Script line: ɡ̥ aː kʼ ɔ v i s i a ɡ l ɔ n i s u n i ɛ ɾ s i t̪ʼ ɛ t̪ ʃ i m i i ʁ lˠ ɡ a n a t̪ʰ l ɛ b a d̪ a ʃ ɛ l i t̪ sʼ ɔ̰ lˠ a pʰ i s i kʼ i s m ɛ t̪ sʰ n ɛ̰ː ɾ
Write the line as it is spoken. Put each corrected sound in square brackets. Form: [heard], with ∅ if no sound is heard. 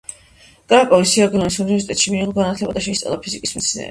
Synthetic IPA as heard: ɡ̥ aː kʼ ɔ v i s i a ɡ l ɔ n i s u n i ɛ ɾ s i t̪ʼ ɛ t̪ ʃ i m i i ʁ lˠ ɡ a n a t̪ʰ l ɛ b a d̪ a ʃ ɛ [∅] i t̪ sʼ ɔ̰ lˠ a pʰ i [z] i kʼ i s m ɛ t̪ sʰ n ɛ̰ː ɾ